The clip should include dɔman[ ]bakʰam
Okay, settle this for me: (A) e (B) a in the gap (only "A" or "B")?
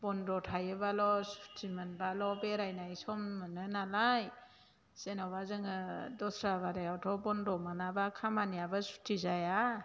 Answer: B